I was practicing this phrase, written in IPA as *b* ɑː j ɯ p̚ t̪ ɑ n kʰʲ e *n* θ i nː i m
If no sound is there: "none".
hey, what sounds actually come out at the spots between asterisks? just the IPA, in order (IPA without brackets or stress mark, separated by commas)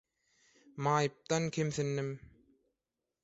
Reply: m, m